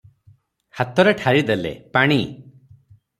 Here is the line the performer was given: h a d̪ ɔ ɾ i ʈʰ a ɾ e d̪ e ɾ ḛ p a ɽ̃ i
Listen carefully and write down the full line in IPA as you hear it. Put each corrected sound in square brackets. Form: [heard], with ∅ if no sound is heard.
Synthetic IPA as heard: h a [t̪] ɔ ɾ [e] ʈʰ a ɾ [i] d̪ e [l] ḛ p a ɽ̃ i